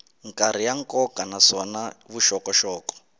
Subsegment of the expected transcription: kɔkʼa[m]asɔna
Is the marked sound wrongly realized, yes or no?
yes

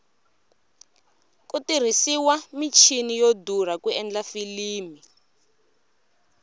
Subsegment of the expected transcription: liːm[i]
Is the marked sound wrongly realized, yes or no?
no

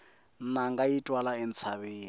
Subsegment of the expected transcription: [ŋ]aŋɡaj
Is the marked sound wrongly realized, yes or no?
yes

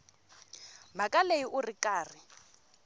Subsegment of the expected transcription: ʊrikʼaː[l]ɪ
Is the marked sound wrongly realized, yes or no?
yes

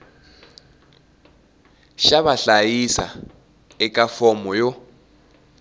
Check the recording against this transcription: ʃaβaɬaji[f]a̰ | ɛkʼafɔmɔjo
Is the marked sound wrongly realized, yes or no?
yes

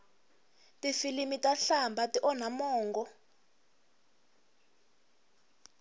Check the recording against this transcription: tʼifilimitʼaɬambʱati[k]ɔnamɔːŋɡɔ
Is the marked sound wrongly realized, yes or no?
yes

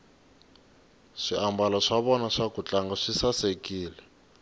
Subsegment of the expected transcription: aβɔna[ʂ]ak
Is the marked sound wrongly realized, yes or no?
no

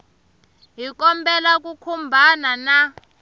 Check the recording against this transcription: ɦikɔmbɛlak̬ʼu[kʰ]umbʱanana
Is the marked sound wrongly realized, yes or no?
no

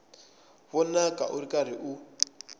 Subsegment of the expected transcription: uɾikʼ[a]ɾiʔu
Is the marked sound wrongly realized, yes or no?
no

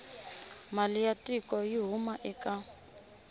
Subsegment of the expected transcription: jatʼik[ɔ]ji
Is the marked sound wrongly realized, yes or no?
no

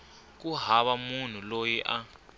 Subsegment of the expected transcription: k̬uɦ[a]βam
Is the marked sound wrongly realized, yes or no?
no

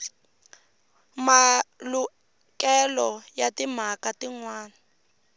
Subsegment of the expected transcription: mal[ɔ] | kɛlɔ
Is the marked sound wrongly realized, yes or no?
yes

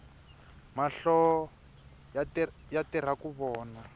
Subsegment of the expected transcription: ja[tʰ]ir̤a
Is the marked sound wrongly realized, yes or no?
yes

